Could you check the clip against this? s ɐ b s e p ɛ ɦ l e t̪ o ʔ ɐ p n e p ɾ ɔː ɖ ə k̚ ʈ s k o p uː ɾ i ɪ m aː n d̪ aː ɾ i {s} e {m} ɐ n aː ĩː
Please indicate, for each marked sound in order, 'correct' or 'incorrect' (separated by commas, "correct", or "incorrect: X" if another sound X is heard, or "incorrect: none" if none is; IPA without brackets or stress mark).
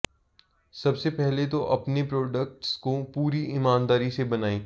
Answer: correct, incorrect: b